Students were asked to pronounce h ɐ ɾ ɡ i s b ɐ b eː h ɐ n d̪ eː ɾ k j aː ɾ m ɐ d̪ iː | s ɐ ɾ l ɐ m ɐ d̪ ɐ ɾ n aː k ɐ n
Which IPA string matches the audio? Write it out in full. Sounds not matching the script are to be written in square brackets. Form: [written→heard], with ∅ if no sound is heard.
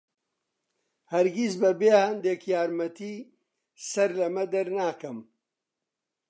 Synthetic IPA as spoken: h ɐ ɾ ɡ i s b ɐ b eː h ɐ n d̪ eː [ɾ→∅] k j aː ɾ m ɐ [d̪→t̪] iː | s ɐ ɾ l ɐ m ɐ d̪ ɐ ɾ n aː k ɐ [n→m]